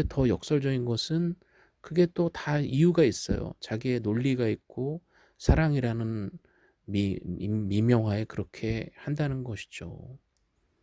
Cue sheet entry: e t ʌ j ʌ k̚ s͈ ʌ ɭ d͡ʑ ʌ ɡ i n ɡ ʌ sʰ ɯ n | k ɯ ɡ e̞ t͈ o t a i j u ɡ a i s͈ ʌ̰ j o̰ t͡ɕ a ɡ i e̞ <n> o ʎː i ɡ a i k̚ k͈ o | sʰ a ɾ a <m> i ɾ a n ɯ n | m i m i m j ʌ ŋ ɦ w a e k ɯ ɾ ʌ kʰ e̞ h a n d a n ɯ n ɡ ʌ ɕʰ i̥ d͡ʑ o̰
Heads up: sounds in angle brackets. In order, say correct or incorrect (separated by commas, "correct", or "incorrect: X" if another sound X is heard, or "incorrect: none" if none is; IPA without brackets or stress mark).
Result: correct, incorrect: ŋ